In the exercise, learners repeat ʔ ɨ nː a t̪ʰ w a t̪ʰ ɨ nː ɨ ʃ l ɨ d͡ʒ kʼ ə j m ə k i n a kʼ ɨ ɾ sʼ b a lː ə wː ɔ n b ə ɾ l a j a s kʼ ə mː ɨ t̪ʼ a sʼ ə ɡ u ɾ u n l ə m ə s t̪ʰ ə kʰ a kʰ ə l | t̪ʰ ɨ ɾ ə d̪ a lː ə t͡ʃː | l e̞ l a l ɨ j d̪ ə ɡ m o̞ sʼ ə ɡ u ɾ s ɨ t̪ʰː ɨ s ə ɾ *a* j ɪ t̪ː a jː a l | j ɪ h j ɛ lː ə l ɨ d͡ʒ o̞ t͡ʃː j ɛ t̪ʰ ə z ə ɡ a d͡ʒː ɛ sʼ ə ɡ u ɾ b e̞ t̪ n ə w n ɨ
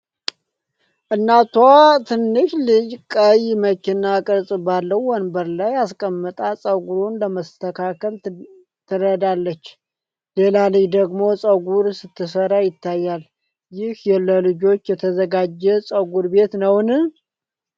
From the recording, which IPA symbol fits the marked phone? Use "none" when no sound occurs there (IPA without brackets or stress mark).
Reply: a